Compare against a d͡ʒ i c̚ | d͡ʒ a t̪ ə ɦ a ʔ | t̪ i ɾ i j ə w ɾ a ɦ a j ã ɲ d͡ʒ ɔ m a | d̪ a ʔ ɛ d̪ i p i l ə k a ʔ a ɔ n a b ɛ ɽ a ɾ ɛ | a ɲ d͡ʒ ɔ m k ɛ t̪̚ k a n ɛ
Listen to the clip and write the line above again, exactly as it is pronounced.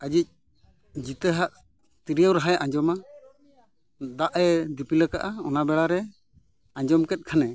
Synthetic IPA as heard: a d͡ʒ i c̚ | d͡ʒ i t̪ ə ɦ a ʔ | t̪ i ɾ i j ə w ɾ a ɦ a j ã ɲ d͡ʒ ɔ m a | d̪ a ʔ ɛ d̪ i p i l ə k a ʔ a ɔ n a b ɛ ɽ a ɾ ɛ | a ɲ d͡ʒ ɔ m k ɛ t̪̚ kʰ a n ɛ

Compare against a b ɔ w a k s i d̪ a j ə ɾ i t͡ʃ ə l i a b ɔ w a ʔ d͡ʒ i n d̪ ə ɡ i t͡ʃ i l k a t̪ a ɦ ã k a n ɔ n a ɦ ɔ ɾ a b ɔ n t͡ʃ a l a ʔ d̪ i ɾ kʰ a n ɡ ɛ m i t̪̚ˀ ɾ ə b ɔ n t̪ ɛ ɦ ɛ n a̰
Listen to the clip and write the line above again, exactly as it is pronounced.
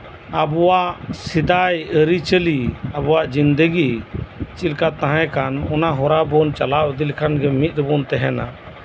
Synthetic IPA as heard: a b ɔ w a ʔ s i d̪ a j ə ɾ i t͡ʃ ə l i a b ɔ w a ʔ d͡ʒ i n d̪ ə ɡ i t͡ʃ i l k a t̪ a ɦ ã k a n ɔ n a ɦ ɔ ɾ a b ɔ n t͡ʃ a l a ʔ d̪ i l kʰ a n ɡ ɛ m i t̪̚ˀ ɾ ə b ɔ n t̪ ɛ ɦ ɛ n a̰

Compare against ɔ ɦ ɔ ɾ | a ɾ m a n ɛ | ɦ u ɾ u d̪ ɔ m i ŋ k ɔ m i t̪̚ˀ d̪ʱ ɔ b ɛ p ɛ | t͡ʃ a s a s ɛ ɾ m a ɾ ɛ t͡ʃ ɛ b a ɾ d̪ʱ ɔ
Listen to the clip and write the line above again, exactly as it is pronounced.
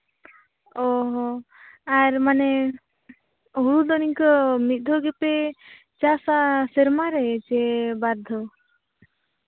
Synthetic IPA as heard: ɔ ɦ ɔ | a ɾ m a n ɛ | ɦ u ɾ u d̪ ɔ n i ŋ k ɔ m i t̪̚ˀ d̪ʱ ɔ ɡ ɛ p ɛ | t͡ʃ a s a s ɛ ɾ m a ɾ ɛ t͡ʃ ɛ b a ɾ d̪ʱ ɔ

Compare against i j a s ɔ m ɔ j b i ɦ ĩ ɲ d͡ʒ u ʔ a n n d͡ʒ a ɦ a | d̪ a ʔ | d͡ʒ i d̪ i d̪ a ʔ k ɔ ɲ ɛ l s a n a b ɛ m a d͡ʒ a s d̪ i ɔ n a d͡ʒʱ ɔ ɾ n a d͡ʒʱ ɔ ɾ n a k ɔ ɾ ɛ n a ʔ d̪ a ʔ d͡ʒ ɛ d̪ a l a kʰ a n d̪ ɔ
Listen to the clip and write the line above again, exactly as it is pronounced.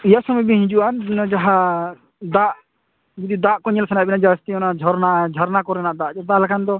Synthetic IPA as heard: i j a s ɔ m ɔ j b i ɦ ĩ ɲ d͡ʒ u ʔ a n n d͡ʒ a ɦ a | d̪ a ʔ | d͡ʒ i d̪ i d̪ a ʔ k ɔ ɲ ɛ l s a n a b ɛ n a d͡ʒ a s t̪ i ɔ n a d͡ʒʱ ɔ ɾ n a d͡ʒʱ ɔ ɾ n a k ɔ ɾ ɛ n a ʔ d̪ a ʔ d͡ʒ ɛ d̪ a l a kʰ a n d̪ ɔ

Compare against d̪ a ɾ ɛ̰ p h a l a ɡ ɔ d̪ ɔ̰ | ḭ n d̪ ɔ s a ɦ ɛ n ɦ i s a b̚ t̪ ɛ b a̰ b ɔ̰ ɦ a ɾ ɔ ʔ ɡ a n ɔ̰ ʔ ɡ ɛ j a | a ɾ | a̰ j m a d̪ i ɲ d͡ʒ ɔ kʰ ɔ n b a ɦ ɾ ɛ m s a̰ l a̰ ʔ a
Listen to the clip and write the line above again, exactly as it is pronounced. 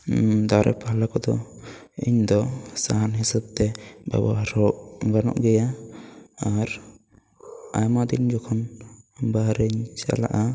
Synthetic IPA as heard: d̪ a ɾ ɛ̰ p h a l a k ɔ d̪ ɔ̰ | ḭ ɲ d̪ ɔ s a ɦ a n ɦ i s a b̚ t̪ ɛ b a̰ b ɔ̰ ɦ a ɾ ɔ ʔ ɡ a n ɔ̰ ʔ ɡ ɛ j a | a ɾ | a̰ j m a d̪ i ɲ d͡ʒ ɔ kʰ ɔ n b a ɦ ɾ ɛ ɲ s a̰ l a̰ ʔ a

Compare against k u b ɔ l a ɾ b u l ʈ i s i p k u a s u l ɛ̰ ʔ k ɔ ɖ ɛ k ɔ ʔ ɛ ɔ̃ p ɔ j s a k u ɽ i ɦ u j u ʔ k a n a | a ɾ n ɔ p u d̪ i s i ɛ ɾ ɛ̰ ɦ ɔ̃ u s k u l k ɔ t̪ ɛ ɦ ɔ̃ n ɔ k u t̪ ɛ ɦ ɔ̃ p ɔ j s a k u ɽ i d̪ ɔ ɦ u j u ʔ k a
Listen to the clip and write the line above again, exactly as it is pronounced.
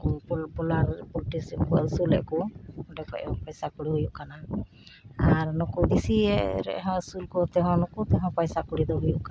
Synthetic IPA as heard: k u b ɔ l a ɾ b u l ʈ i s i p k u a s u l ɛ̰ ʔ k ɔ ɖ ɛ k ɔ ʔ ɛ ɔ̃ p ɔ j s a k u ɽ i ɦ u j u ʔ k a n a | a ɾ n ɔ k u d̪ i s i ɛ ɾ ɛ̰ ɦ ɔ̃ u s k u l k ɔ t̪ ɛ ɦ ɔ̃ n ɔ k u t̪ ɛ ɦ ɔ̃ p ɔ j s a k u ɽ i d̪ ɔ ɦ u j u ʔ k a

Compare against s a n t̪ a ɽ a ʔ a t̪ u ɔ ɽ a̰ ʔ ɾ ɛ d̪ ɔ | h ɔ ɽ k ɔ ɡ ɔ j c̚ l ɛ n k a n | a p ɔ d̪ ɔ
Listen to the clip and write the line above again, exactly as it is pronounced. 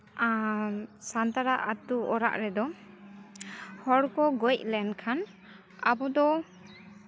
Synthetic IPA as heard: s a n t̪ a ɾ a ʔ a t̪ u ɔ ɾ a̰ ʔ ɾ ɛ d̪ ɔ | h ɔ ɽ k ɔ ɡ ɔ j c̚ l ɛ n kʰ a n | a b ɔ d̪ ɔ

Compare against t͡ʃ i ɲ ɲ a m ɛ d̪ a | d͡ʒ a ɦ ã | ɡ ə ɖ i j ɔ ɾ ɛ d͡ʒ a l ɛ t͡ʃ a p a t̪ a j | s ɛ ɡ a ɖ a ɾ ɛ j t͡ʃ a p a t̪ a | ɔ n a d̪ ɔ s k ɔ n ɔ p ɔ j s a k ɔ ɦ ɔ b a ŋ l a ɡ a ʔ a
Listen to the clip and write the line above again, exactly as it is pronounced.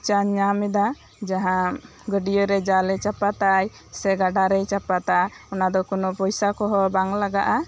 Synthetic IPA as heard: t͡ʃ a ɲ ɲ a m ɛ d̪ a | d͡ʒ a ɦ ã | ɡ ə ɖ i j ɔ ɾ ɛ d͡ʒ a l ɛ t͡ʃ a p a t̪ a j | s ɛ ɡ a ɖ a ɾ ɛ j t͡ʃ a p a t̪ a | ɔ n a d̪ ɔ k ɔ n ɔ p ɔ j s a k ɔ ɦ ɔ b a ŋ l a ɡ a ʔ a

